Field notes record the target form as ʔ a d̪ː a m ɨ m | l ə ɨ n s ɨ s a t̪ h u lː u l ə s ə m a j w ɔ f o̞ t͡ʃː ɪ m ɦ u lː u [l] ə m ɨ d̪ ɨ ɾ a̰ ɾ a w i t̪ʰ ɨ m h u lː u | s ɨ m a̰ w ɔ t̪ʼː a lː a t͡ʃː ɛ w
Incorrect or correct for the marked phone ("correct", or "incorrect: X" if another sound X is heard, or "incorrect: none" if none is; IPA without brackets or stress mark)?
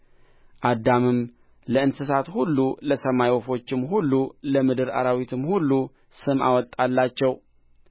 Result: correct